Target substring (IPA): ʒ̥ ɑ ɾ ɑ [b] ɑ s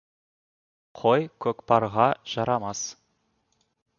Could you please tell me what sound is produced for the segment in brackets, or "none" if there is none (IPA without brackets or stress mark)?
m